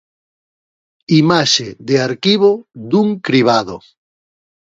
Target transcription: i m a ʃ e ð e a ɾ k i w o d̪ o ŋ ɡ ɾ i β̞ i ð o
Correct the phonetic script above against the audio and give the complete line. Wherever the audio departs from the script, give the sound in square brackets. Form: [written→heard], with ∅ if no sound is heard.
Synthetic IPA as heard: i m a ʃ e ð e a ɾ k i [w→β] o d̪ [o→u] ŋ [ɡ→k] ɾ i β̞ [i→a] ð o